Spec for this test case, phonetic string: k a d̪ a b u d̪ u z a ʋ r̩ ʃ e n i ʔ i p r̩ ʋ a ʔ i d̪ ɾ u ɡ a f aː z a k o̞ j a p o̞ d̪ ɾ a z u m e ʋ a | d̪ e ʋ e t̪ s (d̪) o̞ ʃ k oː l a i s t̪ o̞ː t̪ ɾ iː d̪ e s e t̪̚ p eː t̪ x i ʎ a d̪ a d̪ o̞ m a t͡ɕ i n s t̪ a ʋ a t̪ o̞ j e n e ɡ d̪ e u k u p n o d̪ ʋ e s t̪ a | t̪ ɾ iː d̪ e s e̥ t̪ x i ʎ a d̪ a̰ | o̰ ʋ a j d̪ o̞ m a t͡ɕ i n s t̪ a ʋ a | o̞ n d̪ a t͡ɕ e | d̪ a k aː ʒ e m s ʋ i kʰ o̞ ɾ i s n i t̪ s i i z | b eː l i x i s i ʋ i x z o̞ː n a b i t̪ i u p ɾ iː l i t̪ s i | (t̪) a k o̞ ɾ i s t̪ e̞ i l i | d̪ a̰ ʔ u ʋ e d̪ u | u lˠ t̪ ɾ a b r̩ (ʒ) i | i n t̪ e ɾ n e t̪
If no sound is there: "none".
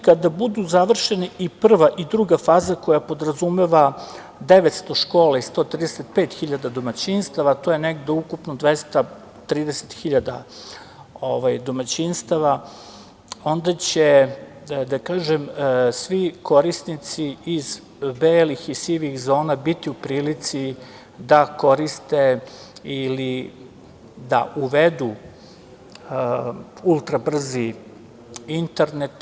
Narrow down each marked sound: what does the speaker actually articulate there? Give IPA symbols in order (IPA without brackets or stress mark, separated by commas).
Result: t̪, d̪, z